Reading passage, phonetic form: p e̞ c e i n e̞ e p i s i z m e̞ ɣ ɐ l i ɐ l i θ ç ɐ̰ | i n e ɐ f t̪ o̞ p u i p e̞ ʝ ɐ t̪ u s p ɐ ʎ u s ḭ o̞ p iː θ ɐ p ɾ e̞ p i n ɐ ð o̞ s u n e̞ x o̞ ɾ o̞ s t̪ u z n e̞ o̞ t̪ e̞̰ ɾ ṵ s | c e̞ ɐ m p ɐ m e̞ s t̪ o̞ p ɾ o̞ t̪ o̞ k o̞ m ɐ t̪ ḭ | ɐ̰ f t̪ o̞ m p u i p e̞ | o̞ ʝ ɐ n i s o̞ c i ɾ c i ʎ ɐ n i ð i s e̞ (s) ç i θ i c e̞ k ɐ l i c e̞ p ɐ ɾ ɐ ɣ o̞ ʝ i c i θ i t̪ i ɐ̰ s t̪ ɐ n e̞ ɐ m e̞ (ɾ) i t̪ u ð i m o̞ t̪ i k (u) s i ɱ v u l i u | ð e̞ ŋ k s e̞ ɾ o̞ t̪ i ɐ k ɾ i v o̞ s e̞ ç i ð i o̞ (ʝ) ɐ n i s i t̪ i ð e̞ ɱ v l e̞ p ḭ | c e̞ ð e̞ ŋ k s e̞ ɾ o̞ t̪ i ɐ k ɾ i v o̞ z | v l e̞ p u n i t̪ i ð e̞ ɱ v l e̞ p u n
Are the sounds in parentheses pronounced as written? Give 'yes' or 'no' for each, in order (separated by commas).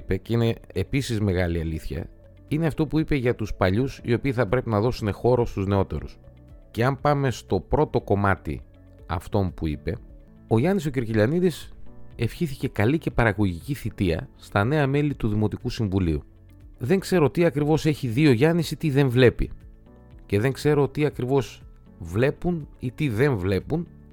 no, no, yes, yes